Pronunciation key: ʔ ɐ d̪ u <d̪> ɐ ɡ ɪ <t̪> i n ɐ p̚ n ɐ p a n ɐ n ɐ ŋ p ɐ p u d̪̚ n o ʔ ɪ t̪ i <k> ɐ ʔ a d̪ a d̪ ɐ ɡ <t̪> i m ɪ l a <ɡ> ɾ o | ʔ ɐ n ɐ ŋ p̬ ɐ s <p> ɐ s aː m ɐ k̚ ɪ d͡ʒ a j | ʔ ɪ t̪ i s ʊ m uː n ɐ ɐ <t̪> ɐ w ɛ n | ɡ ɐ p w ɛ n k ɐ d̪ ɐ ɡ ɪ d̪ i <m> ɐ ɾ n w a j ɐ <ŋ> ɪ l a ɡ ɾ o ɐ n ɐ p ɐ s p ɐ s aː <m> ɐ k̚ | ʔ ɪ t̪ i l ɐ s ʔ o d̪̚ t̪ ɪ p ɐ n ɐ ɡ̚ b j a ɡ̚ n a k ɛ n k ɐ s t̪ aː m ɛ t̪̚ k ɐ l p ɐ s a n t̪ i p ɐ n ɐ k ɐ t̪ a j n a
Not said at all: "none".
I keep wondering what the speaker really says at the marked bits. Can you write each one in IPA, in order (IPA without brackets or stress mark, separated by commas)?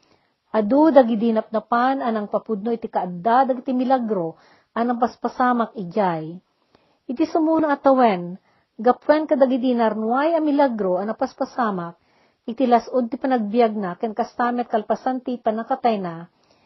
d̪, d̪, k, t̪, ɡ, p, t̪, n, m, m